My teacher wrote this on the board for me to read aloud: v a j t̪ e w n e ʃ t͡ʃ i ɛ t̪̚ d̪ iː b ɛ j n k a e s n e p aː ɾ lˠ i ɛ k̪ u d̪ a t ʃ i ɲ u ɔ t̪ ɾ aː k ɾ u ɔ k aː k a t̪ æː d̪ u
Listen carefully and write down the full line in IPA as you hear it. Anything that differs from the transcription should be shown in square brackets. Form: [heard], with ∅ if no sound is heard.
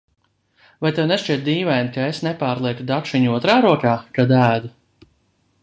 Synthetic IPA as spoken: v a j t̪ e w n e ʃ t͡ʃ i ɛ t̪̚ d̪ iː [v] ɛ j n k a e s n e p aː ɾ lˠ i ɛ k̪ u d̪ a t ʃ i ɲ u ɔ t̪ ɾ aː [∅] ɾ u ɔ k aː k a [d̪] æː d̪ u